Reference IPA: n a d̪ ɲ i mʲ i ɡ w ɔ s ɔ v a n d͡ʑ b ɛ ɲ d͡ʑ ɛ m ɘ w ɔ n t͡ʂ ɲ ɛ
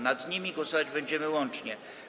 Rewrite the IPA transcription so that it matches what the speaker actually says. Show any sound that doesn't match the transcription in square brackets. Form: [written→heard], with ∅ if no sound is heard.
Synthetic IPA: n a d̪ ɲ i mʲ i ɡ w ɔ s ɔ v a [n→∅] d͡ʑ b ɛ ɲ d͡ʑ ɛ m ɘ w ɔ n t͡ʂ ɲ ɛ